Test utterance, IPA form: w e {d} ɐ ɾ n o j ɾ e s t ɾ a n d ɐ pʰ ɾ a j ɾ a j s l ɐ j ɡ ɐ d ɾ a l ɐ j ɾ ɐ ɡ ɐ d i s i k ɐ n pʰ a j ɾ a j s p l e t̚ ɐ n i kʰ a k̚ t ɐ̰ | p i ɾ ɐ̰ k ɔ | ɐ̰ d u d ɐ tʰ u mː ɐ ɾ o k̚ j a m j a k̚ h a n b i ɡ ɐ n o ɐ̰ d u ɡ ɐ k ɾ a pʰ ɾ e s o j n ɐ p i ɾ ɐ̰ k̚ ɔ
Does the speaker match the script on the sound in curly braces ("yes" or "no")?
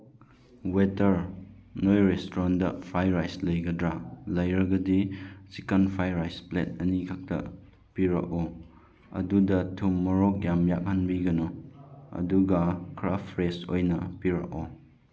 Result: no